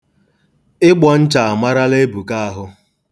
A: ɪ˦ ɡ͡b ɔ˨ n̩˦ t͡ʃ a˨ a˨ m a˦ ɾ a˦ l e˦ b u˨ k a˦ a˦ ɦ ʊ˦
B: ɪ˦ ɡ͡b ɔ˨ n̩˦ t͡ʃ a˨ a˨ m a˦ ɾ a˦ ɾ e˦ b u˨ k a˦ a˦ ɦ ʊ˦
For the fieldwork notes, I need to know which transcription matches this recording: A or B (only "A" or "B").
A